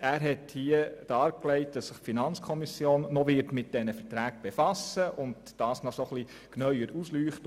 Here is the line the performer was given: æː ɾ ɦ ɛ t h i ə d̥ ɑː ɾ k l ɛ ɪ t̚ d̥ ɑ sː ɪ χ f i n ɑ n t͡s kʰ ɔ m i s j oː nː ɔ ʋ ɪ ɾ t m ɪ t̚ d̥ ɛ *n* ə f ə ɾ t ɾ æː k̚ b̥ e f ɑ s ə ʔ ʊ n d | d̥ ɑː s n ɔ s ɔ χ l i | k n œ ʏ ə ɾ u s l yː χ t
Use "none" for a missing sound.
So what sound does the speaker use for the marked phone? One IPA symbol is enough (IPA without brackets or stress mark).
n